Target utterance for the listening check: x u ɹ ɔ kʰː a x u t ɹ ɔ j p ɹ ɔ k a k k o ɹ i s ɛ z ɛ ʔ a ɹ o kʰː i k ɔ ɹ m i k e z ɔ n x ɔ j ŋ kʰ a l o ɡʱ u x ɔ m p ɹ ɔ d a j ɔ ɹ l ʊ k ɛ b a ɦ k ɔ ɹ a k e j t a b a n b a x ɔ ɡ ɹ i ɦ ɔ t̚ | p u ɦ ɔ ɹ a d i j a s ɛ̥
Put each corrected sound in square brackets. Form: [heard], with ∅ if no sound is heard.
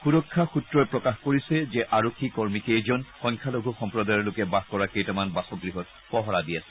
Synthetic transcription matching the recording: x u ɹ ɔ kʰː a x u t ɹ ɔ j p ɹ ɔ k a [x] k o ɹ i s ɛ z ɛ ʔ a ɹ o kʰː i k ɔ ɹ m i k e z ɔ n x ɔ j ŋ kʰ a l o ɡʱ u x ɔ m p ɹ ɔ d a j ɔ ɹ l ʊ k ɛ b a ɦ k ɔ ɹ a k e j t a [m] a n b a [s] ɔ ɡ ɹ i ɦ ɔ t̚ | p [ɔ] ɦ ɔ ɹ a d i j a s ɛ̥